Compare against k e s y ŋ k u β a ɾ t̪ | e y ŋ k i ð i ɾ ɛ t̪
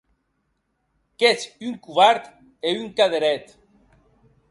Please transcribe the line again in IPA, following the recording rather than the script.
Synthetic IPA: k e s y ŋ k u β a ɾ t̪ | e y ŋ k a ð e ɾ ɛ t̪

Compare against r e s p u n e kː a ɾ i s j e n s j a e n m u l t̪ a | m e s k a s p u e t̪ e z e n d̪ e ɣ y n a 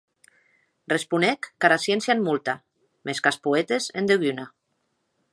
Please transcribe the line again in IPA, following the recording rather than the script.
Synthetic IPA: r e s p u n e kː a ɾ a s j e n s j a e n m u l t̪ a | m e s k a s p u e t̪ e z e n d̪ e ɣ y n a

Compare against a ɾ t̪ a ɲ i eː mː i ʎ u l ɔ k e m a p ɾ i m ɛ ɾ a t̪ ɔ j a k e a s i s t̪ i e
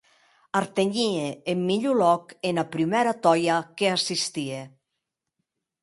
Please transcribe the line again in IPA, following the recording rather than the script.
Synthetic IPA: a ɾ t̪ e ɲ i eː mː i ʎ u l ɔ k e n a p ɾ i m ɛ ɾ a t̪ ɔ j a k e a s i s t̪ i e

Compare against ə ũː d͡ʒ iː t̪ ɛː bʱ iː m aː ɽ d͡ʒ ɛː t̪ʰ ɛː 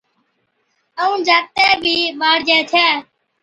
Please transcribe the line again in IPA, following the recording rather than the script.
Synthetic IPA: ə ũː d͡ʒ aː t̪ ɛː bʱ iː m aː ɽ d͡ʒ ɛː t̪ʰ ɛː

